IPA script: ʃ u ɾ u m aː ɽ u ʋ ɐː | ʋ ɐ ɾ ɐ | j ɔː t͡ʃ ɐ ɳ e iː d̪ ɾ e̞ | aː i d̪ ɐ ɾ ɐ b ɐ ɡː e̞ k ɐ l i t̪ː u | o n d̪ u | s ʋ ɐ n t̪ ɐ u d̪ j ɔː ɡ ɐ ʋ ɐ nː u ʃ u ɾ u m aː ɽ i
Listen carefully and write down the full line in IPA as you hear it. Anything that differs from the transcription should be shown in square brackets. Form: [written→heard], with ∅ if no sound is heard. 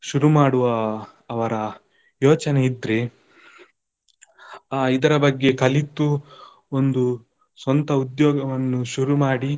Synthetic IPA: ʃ u ɾ u m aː ɽ u ʋ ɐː | ʋ ɐ ɾ ɐ | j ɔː t͡ʃ ɐ [ɳ→n] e [iː→i] d̪ ɾ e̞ | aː i d̪ ɐ ɾ ɐ b ɐ ɡː e̞ k ɐ l i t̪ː u | o n d̪ u | s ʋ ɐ n t̪ ɐ u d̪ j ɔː ɡ ɐ ʋ ɐ nː u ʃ u ɾ u m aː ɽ i

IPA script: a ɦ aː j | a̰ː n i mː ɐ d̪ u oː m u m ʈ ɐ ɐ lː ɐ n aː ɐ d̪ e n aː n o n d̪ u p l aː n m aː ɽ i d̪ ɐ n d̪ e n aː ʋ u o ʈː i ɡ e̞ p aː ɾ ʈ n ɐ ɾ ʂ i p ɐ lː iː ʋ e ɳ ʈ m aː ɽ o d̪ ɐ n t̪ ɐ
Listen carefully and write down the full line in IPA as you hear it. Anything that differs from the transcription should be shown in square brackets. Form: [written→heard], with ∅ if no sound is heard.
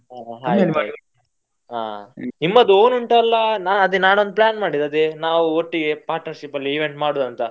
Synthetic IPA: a ɦ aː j | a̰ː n i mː ɐ d̪ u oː [m→n] u [m→ɳ] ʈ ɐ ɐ lː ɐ n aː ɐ d̪ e n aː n o n d̪ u p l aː n m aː ɽ i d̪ ɐ [n→∅] d̪ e n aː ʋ u o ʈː i ɡ e̞ p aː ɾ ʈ n ɐ ɾ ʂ i p ɐ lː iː ʋ e ɳ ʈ m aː ɽ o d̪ ɐ n t̪ ɐ

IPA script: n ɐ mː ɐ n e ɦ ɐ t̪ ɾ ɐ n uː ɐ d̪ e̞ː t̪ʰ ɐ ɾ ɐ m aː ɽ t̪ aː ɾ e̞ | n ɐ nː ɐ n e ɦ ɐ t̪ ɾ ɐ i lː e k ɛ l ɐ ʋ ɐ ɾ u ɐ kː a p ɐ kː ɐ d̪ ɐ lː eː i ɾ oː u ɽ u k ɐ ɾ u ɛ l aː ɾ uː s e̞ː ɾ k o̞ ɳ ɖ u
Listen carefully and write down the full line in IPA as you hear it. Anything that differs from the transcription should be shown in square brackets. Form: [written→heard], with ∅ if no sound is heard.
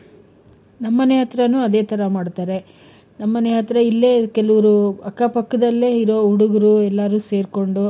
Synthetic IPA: n ɐ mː ɐ n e ɦ ɐ t̪ ɾ ɐ n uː ɐ d̪ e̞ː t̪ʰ ɐ ɾ ɐ m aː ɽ t̪ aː ɾ e̞ | n ɐ [nː→mː] ɐ n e ɦ ɐ t̪ ɾ ɐ i lː e k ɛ l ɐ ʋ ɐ ɾ u ɐ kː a p ɐ kː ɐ d̪ ɐ lː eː i ɾ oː u ɽ u [k→ɡ] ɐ ɾ u ɛ [l→lː] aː ɾ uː s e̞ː ɾ k o̞ ɳ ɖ u

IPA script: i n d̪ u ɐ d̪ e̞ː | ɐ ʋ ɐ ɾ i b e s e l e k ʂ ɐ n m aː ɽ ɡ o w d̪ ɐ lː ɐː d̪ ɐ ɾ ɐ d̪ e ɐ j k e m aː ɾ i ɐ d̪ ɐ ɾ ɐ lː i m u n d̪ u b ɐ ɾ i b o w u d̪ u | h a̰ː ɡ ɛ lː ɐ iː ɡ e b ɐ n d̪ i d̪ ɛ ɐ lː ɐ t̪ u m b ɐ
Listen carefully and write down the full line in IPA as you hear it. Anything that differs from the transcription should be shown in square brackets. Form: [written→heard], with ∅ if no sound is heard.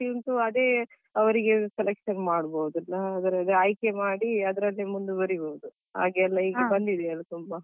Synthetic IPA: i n [d̪→t̪] u ɐ d̪ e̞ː | ɐ ʋ ɐ ɾ i [b→ɡ] e s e l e k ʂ ɐ n m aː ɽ [ɡ→b] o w d̪ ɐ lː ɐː d̪ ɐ ɾ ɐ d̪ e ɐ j k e m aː [ɾ→ɽ] i ɐ d̪ ɐ ɾ ɐ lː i m u n d̪ u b ɐ ɾ i b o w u d̪ u | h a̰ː ɡ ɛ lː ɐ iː ɡ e b ɐ n d̪ i d̪ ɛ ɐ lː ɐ t̪ u m b ɐ

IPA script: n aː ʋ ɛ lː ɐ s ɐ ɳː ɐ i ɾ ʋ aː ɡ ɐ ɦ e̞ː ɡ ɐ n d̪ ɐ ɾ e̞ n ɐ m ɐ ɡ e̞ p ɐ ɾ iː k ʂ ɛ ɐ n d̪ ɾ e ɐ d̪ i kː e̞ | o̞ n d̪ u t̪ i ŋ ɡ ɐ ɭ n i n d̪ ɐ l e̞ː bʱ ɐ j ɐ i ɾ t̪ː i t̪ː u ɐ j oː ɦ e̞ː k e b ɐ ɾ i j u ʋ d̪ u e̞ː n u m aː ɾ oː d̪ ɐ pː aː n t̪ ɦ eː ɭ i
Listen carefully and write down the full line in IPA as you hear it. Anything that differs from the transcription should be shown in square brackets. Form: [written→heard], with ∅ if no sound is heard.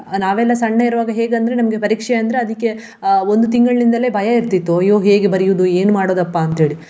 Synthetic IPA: n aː ʋ ɛ lː ɐ s ɐ ɳː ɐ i ɾ ʋ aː ɡ ɐ ɦ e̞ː ɡ ɐ n d̪ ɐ ɾ e̞ n ɐ m ɐ ɡ e̞ p ɐ ɾ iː k ʂ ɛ ɐ n d̪ ɾ e ɐ d̪ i kː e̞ | o̞ n d̪ u t̪ i ŋ ɡ ɐ ɭ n i n d̪ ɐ l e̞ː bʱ ɐ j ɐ i ɾ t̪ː i t̪ː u ɐ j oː ɦ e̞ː [k→ɡ] e b ɐ ɾ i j u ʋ d̪ u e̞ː n u m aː [ɾ→ɽ] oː d̪ ɐ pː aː n t̪ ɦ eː ɭ i

